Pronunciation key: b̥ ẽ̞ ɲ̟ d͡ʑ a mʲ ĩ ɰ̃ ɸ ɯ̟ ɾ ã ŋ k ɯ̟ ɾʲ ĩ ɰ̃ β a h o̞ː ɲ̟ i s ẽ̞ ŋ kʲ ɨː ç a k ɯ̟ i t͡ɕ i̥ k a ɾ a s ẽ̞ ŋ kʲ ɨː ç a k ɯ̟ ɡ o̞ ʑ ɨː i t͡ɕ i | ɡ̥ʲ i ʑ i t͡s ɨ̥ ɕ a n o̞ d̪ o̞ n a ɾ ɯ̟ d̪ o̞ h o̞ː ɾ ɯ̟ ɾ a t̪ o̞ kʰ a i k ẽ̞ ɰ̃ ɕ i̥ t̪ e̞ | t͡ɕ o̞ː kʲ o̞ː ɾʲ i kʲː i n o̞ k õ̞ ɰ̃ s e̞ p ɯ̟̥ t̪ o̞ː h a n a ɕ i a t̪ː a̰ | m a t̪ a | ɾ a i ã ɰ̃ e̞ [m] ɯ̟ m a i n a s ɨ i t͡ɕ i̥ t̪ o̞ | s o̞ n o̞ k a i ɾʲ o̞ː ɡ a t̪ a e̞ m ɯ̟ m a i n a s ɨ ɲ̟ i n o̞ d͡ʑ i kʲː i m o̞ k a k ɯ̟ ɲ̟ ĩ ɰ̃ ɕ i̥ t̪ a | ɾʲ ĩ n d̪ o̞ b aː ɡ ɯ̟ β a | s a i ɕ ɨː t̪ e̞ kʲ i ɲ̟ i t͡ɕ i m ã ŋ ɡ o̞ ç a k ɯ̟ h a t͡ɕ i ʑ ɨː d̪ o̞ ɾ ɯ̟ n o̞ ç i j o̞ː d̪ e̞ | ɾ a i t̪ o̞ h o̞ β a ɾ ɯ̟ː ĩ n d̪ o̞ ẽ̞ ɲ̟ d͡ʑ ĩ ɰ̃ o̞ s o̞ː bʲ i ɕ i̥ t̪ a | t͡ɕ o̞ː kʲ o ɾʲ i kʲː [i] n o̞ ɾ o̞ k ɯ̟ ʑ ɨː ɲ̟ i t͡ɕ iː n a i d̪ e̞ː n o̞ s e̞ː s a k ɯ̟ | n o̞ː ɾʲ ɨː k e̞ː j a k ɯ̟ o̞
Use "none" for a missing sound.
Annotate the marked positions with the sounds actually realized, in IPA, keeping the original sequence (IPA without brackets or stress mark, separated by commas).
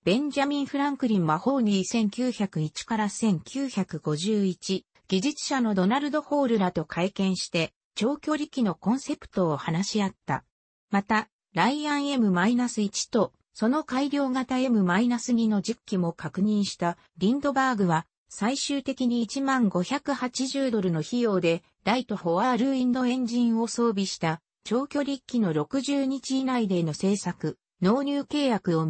m, i